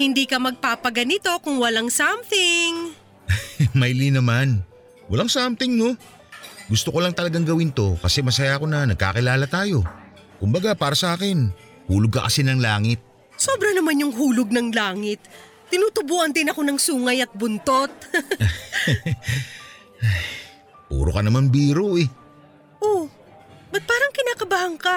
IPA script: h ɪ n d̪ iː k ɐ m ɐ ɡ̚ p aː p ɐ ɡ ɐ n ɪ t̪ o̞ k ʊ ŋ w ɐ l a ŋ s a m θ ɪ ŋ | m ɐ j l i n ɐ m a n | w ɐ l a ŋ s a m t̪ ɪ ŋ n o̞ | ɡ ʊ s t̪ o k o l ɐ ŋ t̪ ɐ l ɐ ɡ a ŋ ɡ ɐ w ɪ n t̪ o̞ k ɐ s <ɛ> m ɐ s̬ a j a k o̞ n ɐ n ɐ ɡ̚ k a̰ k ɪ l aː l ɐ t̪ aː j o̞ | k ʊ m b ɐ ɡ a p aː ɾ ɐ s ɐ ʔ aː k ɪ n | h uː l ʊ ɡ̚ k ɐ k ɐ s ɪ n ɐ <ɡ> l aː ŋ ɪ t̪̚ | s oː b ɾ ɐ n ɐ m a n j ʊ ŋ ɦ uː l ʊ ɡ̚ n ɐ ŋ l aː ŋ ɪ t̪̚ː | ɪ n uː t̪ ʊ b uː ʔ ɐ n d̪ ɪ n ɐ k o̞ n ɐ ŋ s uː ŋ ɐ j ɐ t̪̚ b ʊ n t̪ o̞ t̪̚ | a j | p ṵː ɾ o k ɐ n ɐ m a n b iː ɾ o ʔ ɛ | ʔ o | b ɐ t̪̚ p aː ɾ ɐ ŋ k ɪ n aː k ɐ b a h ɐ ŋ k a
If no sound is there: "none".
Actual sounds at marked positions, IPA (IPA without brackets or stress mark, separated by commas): ɛ, ŋ